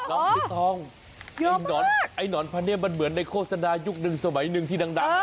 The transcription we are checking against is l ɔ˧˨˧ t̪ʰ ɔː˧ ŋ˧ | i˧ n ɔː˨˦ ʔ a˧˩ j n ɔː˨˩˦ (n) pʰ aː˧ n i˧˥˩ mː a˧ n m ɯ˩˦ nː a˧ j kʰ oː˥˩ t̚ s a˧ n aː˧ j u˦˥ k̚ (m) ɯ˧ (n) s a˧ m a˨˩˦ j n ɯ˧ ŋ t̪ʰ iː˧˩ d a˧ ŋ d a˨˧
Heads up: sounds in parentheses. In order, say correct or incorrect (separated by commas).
correct, incorrect, incorrect